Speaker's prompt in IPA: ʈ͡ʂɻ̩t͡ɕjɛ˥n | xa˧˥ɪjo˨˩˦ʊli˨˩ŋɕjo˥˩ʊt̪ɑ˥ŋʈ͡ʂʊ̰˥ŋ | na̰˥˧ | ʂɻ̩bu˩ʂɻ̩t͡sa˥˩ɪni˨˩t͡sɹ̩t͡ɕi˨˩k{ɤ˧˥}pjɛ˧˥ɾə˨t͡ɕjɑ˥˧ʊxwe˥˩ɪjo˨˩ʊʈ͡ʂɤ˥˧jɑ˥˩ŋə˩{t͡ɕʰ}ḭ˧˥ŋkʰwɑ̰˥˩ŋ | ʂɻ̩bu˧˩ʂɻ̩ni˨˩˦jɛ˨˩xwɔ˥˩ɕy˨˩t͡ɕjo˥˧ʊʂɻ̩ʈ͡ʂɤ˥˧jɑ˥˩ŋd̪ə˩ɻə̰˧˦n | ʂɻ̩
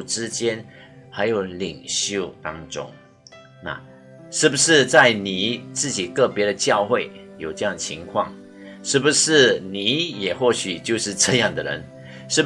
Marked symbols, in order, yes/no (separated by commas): no, yes